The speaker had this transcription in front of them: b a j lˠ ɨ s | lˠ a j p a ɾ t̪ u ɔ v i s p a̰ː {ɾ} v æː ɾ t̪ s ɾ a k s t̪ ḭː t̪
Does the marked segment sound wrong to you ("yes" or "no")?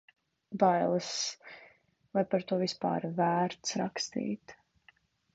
no